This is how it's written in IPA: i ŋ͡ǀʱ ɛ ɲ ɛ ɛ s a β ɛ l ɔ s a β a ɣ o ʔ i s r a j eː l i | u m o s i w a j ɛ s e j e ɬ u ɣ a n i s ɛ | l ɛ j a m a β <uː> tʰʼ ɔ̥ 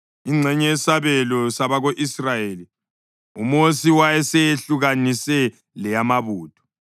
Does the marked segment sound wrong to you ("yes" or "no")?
no